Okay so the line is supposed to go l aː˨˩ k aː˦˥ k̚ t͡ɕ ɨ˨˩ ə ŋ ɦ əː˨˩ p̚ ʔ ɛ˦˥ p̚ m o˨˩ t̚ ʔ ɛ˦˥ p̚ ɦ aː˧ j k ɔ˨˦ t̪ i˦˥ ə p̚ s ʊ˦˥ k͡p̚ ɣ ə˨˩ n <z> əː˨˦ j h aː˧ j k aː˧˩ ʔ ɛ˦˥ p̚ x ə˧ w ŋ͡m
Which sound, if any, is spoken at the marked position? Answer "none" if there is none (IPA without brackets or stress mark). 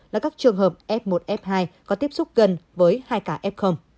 v